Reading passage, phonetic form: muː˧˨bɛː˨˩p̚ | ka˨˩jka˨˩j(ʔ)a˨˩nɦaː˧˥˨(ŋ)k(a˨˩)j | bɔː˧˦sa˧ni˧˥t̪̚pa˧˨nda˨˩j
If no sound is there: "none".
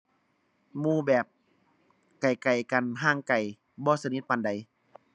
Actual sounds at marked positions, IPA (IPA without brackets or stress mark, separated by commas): k, ŋ, a˨˩